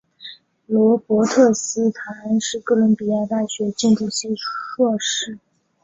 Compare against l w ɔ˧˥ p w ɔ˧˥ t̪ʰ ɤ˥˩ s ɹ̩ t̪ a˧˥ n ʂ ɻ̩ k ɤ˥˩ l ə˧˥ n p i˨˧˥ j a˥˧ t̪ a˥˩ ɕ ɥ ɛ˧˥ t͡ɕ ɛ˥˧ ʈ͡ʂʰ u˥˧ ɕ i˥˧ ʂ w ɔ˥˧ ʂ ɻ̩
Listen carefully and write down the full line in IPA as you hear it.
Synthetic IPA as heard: l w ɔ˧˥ p w ɔ˧˥ t̪ʰ ɤ˥˩ s ɹ̩ t̪ʰ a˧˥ n ʂ ɻ̩ k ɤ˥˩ l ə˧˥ n p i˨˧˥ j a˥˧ t̪ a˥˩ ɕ ɥ ɛ˧˥ t͡ɕ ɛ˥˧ ʈ͡ʂ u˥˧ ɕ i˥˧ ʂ w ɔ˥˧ ʂ ɻ̩